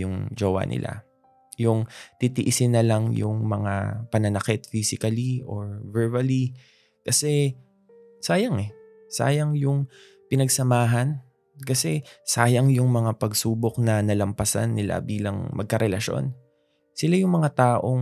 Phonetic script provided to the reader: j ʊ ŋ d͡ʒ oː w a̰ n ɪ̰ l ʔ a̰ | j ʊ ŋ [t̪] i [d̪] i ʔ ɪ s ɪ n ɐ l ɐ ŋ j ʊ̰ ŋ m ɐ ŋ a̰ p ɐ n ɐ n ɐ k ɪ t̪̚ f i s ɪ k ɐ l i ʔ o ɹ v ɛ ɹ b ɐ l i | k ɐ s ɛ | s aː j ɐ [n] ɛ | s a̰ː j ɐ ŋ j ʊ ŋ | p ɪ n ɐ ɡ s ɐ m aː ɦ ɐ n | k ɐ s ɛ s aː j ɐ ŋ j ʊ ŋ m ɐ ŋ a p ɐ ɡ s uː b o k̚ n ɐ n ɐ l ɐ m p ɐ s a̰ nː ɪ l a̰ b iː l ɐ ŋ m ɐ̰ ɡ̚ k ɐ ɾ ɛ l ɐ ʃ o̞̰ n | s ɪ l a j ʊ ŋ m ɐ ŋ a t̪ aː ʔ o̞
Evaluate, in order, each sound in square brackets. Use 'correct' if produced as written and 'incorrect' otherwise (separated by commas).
correct, incorrect, incorrect